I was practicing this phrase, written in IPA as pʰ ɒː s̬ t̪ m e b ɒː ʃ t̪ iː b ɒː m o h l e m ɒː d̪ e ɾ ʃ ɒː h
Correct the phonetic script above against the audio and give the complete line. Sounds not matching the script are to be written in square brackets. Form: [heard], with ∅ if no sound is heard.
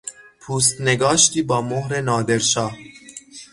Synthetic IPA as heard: pʰ [uː] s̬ t̪ [n] e [ɡ] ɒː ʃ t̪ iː b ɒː m o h [ɾ] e [n] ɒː d̪ e ɾ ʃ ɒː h